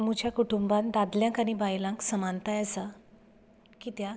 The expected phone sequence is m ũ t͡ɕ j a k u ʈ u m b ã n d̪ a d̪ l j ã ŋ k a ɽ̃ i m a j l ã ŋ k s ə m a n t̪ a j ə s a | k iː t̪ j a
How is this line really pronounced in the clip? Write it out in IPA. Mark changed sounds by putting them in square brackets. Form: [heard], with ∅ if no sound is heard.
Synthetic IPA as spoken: m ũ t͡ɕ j a k u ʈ u m b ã n d̪ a d̪ l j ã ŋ k a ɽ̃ i [b] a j l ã ŋ k s ə m a n t̪ a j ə s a | k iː t̪ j a